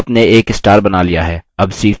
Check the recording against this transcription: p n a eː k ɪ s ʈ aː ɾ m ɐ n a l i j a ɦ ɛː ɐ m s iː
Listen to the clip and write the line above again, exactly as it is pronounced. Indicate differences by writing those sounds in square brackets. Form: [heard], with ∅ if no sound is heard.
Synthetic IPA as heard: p n [e] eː k ɪ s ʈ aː ɾ [b] ɐ n a l i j a ɦ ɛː ɐ [b] s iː